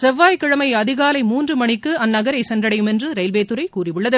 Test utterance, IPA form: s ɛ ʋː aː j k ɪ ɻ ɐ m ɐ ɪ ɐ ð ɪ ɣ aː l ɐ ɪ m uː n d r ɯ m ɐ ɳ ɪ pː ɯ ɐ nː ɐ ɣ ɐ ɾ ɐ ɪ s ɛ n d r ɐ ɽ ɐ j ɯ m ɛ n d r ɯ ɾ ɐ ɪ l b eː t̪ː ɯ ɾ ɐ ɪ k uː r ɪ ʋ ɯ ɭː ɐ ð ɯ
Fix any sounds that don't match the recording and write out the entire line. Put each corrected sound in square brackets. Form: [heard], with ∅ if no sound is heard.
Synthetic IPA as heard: s ɛ ʋː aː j k ɪ ɻ ɐ m ɐ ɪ ɐ ð ɪ ɣ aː l ɐ ɪ m uː n d r ɯ m ɐ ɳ ɪ [kː] ɯ ɐ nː ɐ ɣ ɐ ɾ ɐ ɪ s ɛ n d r ɐ ɽ ɐ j ɯ m ɛ n d r ɯ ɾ ɐ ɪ l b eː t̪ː ɯ ɾ ɐ ɪ k uː r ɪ ʋ ɯ ɭː ɐ ð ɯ